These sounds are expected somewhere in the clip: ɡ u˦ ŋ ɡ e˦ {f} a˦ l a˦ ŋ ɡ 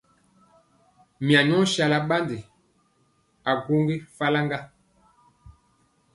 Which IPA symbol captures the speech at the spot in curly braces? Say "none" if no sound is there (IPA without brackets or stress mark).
f